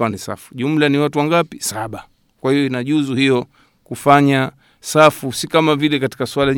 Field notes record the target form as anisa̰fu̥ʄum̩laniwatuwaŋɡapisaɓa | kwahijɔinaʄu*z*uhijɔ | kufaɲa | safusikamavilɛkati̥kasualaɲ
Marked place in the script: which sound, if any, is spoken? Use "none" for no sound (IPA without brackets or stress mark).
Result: z